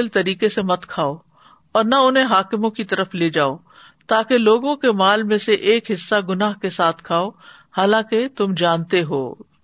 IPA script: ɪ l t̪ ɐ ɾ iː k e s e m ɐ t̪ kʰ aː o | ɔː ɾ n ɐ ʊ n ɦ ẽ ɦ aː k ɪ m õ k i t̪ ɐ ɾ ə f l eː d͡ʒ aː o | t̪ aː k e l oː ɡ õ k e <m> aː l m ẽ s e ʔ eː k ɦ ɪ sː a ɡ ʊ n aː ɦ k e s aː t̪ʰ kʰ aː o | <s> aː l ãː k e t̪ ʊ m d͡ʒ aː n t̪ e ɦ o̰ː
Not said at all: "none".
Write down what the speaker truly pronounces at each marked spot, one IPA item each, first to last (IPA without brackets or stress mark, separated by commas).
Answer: m, h